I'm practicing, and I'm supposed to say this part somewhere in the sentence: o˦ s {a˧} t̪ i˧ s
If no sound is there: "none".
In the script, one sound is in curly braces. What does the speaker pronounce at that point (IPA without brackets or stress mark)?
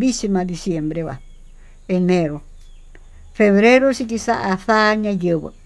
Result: i˧